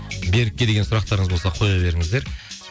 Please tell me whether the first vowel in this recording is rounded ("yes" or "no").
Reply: no